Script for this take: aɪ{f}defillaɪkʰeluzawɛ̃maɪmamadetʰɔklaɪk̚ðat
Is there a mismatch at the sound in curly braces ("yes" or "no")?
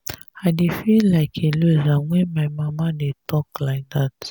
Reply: yes